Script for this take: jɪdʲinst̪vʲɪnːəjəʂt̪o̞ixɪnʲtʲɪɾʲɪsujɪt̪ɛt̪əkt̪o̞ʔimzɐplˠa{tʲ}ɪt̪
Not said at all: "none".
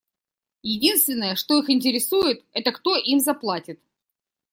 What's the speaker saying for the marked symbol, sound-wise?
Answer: tʲ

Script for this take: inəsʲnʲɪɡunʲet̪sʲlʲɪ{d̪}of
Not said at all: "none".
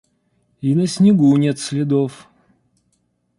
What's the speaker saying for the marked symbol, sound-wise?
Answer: d̪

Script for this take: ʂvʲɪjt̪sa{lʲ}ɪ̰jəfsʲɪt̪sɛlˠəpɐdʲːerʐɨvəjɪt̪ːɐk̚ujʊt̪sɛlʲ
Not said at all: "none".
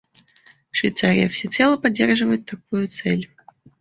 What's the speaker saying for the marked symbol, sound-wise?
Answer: ɾʲ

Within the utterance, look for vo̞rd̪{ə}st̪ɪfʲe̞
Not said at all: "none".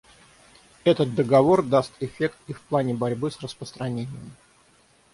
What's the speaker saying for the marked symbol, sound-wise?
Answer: a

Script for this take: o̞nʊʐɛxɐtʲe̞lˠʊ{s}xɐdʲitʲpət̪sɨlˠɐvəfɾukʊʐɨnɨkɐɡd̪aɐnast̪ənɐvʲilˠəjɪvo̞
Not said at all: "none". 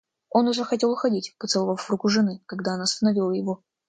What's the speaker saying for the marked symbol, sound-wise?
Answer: none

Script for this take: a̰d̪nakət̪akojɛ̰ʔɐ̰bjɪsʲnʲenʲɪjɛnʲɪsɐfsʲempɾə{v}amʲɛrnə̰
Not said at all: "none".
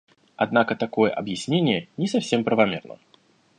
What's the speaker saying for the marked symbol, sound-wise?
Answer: v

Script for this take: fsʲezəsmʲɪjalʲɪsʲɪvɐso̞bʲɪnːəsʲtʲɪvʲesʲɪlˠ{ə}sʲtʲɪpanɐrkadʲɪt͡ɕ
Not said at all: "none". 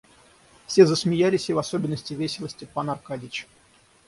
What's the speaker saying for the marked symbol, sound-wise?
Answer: ə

